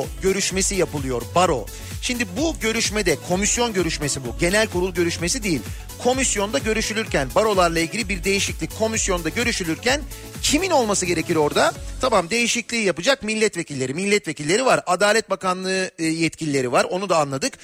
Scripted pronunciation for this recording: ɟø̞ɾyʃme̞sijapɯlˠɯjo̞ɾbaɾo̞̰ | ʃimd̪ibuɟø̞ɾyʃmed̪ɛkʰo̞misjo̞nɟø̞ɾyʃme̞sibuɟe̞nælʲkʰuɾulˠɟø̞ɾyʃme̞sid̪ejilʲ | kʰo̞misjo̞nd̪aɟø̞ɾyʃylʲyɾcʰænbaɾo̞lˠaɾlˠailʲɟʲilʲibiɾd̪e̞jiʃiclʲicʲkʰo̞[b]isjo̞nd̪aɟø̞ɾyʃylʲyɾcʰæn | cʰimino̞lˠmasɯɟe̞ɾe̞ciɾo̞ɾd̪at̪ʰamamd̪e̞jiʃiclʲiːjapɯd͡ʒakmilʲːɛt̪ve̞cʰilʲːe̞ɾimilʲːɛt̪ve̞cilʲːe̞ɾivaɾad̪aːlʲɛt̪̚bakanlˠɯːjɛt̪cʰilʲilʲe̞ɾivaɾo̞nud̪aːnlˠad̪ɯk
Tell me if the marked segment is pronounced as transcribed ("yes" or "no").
no